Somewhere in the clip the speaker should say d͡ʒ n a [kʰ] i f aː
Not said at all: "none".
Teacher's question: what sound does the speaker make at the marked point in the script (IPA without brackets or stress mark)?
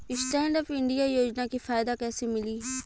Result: k